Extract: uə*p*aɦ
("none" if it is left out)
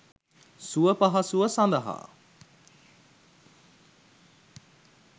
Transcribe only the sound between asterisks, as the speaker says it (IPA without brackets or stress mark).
p